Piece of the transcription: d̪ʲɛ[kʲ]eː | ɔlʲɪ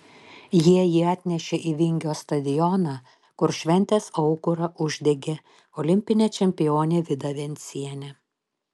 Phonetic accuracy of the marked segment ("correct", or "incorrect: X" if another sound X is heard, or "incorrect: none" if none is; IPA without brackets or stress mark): incorrect: ɡʲ